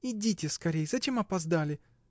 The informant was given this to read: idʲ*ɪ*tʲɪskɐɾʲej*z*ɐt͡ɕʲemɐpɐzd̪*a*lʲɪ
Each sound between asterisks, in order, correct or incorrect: incorrect: i, correct, correct

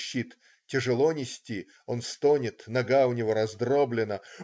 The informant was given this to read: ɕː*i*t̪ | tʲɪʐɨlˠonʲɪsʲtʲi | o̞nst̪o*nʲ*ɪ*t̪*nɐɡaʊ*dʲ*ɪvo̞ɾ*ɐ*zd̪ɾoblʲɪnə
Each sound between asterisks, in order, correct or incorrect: correct, correct, correct, incorrect: nʲ, correct

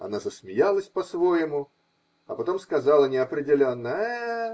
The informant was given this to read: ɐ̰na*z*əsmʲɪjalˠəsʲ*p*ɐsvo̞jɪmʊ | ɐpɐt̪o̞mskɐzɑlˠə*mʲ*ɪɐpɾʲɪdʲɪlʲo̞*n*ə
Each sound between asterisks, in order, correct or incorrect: correct, correct, incorrect: nʲ, incorrect: nː

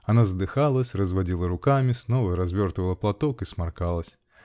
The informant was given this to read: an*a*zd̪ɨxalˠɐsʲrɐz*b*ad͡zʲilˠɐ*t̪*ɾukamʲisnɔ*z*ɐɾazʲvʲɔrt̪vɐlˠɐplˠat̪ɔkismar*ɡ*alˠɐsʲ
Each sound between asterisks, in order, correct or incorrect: correct, incorrect: v, incorrect: none, incorrect: v, incorrect: k

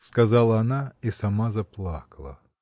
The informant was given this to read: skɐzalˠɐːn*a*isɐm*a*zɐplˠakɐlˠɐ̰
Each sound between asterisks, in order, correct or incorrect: correct, correct

